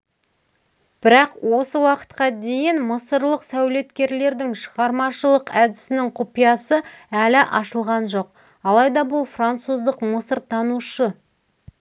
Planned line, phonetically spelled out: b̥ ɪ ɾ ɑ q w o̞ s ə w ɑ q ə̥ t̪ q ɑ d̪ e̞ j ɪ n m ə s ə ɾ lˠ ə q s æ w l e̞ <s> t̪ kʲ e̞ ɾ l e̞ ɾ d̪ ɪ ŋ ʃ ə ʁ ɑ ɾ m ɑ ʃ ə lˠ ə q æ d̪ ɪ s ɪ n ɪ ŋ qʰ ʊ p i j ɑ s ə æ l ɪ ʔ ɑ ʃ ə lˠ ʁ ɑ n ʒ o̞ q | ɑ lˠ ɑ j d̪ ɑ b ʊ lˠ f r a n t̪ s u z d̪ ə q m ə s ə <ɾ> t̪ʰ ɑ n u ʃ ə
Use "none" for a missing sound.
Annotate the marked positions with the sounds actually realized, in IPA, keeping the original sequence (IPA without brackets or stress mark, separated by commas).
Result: none, ɾ